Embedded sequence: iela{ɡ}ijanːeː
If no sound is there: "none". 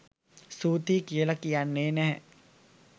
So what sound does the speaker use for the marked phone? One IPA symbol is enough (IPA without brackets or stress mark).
k